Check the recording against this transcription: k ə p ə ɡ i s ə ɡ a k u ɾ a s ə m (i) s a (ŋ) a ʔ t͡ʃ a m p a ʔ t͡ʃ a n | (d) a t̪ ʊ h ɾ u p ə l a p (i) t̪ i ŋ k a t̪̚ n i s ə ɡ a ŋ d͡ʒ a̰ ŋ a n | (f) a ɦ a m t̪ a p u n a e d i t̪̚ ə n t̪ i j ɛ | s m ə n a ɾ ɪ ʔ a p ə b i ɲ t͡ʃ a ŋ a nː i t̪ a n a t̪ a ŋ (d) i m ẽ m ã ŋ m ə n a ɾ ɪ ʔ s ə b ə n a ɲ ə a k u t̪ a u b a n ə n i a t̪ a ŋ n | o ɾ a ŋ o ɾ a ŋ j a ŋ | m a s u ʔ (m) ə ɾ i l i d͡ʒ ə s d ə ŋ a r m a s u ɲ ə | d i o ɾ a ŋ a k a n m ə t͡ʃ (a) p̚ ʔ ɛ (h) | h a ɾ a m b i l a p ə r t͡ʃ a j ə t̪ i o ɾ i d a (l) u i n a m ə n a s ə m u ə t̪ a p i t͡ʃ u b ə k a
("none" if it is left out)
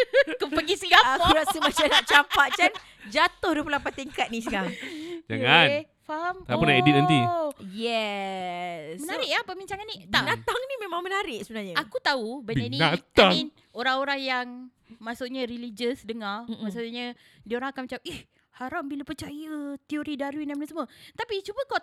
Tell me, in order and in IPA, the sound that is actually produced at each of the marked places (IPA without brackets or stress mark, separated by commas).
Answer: a, n, d͡ʒ, a, f, n, ɲ, a, h, ɾ